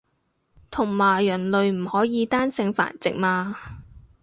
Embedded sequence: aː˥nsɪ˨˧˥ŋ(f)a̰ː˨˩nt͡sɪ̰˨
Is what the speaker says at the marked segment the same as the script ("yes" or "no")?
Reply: yes